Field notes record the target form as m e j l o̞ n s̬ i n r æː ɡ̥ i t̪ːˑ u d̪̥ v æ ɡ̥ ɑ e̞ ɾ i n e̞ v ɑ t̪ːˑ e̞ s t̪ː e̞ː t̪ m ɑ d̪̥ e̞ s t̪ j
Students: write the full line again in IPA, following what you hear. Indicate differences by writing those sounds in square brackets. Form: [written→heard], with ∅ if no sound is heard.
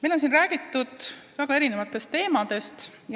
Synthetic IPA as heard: m e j l o̞ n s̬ i n r æː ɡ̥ i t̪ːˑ u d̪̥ v æ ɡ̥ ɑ e̞ ɾ i n e̞ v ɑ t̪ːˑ e̞ s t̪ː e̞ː [t̪→∅] m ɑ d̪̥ e̞ s t̪ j